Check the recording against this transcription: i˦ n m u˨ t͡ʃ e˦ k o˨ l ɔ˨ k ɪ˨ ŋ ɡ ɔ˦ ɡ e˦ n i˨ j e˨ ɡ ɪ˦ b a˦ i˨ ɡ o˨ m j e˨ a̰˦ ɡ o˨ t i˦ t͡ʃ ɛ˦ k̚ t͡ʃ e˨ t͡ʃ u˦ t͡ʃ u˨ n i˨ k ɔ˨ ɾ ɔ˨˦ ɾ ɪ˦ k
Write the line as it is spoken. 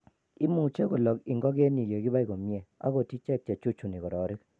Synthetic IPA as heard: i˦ m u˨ t͡ʃ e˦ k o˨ l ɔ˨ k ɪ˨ ŋ ɡ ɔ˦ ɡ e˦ n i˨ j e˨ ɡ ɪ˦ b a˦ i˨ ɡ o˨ m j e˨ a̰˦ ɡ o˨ t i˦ t͡ʃ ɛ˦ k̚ t͡ʃ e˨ t͡ʃ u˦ t͡ʃ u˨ n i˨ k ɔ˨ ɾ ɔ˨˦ ɾ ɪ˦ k